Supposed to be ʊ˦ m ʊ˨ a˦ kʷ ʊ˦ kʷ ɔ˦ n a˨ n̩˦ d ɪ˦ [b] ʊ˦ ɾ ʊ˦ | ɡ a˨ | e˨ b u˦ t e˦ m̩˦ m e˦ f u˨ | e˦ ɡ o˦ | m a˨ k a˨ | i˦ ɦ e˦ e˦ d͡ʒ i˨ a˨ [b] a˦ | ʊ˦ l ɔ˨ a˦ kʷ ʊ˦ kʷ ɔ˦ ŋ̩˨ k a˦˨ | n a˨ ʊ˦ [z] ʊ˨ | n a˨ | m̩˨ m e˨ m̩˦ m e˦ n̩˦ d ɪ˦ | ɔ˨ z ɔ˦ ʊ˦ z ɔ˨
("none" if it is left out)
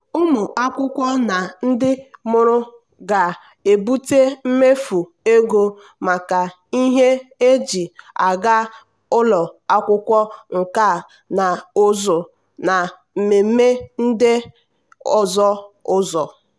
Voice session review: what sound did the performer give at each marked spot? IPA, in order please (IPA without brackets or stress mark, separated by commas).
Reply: m, ɡ, z